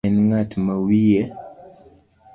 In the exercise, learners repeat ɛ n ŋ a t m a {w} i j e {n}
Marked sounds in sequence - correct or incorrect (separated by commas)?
correct, incorrect